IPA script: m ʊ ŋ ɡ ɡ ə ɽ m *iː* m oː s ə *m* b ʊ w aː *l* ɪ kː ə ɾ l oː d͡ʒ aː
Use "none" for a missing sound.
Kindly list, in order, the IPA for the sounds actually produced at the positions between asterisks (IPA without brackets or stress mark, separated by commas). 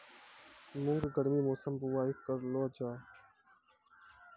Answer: iː, m, none